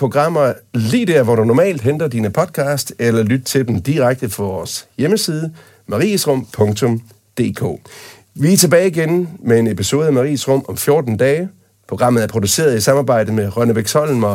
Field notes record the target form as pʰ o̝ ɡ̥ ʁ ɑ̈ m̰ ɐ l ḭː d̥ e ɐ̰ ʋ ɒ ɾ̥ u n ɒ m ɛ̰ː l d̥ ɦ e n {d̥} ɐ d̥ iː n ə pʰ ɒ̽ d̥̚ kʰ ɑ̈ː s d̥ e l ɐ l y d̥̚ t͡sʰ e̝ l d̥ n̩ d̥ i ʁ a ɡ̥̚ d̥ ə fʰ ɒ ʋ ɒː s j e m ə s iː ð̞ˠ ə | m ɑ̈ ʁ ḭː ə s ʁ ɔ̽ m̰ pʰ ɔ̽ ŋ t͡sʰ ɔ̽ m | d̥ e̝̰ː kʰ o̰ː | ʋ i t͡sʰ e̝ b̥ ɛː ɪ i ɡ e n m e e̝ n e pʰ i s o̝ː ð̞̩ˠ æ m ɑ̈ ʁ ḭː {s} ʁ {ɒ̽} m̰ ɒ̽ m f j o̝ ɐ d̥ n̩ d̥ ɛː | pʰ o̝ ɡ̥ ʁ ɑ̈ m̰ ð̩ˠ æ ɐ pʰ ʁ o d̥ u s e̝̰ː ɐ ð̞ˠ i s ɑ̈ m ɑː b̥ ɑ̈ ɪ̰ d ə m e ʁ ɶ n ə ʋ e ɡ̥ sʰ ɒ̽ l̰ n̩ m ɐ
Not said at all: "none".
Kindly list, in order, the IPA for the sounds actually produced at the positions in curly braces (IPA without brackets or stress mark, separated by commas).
d̥, s, ɔ̽